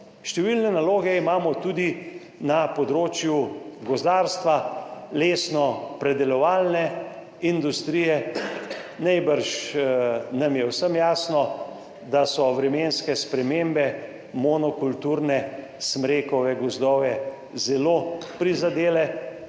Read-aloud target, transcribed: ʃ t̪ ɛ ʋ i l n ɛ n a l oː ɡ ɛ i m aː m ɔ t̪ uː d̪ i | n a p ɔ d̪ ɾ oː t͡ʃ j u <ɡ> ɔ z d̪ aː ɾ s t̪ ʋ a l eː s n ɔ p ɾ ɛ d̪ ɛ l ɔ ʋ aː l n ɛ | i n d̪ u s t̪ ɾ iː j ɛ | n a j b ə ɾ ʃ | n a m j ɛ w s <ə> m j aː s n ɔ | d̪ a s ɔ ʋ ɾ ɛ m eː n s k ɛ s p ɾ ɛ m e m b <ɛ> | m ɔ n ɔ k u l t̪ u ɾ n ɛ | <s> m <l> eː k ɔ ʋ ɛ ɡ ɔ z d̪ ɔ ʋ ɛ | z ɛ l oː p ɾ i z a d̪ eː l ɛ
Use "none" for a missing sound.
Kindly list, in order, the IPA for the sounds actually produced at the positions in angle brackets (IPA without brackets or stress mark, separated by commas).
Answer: ɡ, ə, ɛ, s, ɾ